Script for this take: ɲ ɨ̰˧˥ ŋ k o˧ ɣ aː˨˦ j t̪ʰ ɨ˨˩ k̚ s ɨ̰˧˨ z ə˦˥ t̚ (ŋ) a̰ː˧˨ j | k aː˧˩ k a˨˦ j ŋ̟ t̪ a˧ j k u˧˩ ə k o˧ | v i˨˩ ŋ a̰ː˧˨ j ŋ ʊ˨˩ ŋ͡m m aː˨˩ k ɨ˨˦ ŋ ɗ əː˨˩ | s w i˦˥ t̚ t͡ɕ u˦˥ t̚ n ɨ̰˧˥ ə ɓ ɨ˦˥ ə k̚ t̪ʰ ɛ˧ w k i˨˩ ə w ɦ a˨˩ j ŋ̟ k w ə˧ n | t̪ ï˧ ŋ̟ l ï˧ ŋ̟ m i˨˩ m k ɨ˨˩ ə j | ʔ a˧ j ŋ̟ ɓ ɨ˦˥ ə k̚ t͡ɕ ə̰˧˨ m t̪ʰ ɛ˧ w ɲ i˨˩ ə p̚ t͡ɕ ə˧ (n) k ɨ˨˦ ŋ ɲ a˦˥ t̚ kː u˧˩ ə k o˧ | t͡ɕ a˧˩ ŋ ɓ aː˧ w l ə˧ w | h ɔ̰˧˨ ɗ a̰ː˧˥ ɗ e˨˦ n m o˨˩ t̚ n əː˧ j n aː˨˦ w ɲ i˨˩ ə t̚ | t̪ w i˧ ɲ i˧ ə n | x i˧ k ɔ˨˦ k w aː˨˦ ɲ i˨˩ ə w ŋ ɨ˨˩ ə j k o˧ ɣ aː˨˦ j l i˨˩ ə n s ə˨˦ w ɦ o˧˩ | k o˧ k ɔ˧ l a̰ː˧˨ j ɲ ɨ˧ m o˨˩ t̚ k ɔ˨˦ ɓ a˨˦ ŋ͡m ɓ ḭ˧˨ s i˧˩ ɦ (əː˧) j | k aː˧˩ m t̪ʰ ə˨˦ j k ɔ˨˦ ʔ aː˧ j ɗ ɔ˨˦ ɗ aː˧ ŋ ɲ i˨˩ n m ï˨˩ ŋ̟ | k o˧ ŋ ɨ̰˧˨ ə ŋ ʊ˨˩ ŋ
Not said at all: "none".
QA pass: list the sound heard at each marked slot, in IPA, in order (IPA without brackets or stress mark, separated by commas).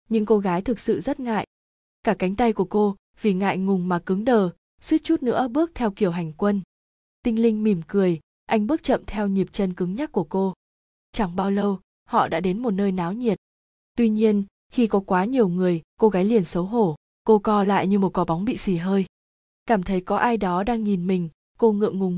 ŋ, n, əː˧